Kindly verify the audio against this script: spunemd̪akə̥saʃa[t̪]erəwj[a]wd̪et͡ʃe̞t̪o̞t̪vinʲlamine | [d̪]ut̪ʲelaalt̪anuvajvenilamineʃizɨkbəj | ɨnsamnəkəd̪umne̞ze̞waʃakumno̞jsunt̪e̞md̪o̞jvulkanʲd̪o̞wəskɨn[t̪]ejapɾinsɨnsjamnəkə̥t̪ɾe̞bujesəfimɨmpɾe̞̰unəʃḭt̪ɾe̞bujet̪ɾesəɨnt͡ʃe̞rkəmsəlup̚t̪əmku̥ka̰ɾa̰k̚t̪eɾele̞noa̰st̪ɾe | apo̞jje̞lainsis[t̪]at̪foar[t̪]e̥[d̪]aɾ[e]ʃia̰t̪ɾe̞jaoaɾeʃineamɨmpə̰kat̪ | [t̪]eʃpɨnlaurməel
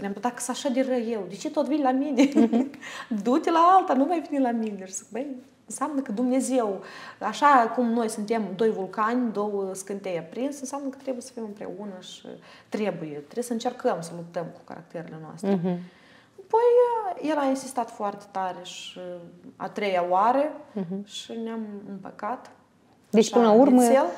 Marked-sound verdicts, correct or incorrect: incorrect, incorrect, correct, correct, correct, correct, incorrect, correct, incorrect

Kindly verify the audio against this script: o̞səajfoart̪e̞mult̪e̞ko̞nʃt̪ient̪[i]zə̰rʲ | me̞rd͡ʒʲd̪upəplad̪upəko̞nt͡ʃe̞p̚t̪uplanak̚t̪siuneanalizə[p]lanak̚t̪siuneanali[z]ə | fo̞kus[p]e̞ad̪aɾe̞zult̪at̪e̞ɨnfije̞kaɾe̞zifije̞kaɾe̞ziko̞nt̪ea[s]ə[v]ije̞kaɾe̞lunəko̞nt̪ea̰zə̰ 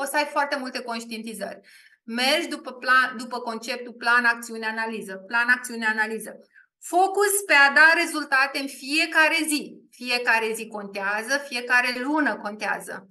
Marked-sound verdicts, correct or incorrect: correct, correct, correct, correct, incorrect, incorrect

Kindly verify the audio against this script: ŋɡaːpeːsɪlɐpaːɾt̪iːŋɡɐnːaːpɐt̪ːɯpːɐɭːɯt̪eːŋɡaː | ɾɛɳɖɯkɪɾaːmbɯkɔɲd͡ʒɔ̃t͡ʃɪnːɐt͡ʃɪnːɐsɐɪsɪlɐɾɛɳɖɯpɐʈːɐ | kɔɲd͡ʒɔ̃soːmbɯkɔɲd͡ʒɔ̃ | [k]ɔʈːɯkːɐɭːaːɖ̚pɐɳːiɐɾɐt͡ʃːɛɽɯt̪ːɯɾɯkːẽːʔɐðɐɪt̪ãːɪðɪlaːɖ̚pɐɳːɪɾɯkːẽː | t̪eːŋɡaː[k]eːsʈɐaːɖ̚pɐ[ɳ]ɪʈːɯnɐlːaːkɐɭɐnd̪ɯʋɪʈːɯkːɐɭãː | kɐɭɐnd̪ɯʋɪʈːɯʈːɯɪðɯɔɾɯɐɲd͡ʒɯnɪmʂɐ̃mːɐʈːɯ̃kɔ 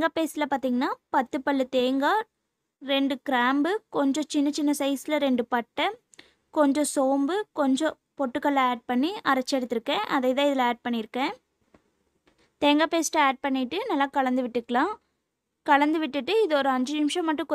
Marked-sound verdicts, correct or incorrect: incorrect, incorrect, incorrect

